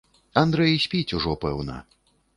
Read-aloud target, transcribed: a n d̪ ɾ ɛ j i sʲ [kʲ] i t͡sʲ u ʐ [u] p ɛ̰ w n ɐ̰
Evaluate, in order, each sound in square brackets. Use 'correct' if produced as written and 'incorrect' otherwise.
incorrect: pʲ, incorrect: ɔ

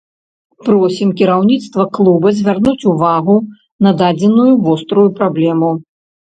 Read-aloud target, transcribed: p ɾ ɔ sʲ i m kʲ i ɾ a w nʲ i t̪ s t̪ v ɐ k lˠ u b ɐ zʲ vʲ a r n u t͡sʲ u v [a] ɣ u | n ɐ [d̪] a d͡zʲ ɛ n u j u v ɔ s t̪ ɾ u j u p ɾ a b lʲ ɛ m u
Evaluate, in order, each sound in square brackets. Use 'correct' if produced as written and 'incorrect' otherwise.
correct, correct

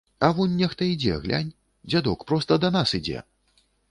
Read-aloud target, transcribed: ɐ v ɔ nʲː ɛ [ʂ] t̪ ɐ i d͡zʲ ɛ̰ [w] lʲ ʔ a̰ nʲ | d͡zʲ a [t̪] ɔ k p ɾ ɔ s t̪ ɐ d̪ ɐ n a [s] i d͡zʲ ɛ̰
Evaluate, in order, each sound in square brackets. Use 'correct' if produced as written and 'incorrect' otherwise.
incorrect: x, incorrect: ɣ, incorrect: d̪, correct

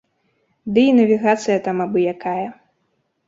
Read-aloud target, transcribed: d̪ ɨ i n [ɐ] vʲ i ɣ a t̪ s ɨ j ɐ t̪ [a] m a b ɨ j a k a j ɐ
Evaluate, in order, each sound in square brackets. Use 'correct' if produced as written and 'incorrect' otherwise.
correct, correct

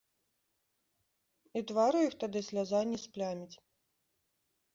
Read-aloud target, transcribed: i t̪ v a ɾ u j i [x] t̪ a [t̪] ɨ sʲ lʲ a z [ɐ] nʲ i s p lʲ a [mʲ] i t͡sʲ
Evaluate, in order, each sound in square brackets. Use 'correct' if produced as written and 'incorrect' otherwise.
correct, incorrect: d̪, incorrect: a, correct

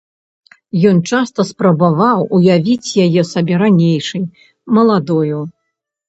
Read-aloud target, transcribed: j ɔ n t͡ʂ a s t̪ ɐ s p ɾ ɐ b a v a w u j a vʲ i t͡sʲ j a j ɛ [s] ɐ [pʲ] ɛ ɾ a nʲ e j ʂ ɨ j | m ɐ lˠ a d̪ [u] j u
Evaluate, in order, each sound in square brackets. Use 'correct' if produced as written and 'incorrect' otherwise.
correct, incorrect: bʲ, incorrect: ɔ

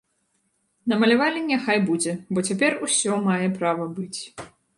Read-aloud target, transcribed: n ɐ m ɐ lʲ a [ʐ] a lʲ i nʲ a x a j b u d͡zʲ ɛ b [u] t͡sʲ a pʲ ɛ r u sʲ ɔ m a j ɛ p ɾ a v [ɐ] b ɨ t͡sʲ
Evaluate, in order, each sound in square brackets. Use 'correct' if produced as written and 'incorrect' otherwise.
incorrect: v, incorrect: ɔ, correct

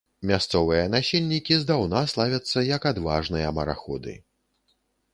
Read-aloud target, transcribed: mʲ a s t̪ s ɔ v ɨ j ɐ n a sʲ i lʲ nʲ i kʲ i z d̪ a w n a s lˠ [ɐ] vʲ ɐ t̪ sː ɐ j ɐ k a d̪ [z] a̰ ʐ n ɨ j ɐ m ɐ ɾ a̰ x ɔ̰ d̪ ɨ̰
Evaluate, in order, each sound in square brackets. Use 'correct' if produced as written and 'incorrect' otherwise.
incorrect: a, incorrect: v

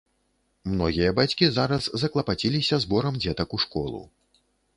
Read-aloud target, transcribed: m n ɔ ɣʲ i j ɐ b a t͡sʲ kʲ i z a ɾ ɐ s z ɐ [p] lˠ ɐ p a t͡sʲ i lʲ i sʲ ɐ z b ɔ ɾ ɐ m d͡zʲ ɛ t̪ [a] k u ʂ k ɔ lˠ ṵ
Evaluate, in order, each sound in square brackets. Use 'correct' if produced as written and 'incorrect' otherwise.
incorrect: k, incorrect: ɐ

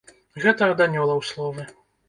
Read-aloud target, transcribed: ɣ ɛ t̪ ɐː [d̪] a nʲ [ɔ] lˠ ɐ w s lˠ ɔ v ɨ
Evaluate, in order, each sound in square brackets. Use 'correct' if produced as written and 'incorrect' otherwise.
correct, correct

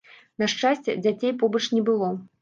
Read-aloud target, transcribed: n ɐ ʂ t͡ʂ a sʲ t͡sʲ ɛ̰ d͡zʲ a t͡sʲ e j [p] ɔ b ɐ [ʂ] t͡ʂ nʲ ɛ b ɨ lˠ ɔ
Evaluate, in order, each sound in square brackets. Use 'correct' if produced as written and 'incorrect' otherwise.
correct, incorrect: none

